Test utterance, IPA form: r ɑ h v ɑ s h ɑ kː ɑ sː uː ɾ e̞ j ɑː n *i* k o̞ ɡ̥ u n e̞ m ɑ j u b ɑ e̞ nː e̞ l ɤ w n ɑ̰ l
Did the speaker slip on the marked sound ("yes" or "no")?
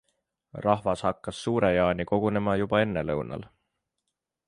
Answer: no